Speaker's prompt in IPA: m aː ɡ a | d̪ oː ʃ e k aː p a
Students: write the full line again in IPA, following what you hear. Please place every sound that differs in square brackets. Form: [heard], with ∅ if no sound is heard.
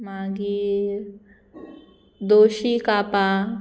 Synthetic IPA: m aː ɡ [i] | d̪ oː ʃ [i] k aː p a